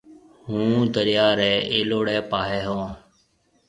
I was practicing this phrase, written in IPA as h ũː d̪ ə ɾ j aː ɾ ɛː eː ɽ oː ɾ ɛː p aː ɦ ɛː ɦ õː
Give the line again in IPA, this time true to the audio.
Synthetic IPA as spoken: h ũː d̪ ə ɾ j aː ɾ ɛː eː l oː ɽ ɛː p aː ɦ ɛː ɦ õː